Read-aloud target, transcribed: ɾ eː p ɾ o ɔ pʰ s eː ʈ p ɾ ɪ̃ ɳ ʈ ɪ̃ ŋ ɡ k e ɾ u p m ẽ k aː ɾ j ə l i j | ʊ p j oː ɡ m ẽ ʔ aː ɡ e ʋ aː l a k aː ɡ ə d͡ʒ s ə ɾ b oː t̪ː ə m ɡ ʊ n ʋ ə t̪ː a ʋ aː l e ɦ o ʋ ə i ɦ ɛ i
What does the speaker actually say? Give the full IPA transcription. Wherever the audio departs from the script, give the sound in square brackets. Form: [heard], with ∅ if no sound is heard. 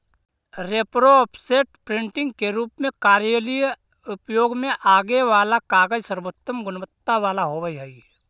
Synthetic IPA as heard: ɾ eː p ɾ o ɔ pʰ s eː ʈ p ɾ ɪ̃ ɳ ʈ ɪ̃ ŋ ɡ k e ɾ [uː] p m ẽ k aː ɾ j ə l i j | ʊ p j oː ɡ m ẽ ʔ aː ɡ e ʋ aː l a k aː ɡ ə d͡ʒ s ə ɾ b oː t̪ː ə m ɡ ʊ n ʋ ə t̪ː a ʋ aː l [a] ɦ o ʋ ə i ɦ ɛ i